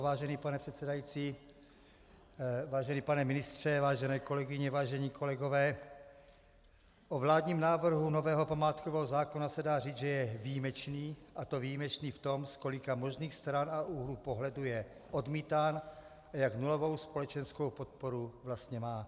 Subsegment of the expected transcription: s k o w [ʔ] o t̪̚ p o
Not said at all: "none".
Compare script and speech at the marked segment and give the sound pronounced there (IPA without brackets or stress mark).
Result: p